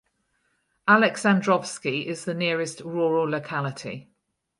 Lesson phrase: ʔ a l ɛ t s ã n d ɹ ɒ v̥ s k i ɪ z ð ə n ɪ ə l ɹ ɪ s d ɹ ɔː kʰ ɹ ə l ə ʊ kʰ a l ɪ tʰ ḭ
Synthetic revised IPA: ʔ a l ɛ k s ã n d ɹ ɒ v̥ s k i ɪ z ð ə n ɪ ə ɹ ɪ s t ɹ ɔː ɹ ə l ə ʊ kʰ a l ɪ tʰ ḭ